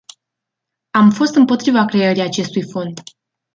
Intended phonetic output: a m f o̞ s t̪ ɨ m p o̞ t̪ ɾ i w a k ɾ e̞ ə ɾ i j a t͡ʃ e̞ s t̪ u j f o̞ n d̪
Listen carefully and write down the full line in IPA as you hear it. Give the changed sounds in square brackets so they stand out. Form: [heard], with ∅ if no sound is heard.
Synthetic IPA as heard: a m f o̞ s t̪ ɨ m p o̞ t̪ ɾ i [v] a k ɾ e̞ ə ɾ i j a t͡ʃ e̞ s t̪ u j f o̞ n d̪